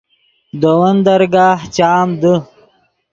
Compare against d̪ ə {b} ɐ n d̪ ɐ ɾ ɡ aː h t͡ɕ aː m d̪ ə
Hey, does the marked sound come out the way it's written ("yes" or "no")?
no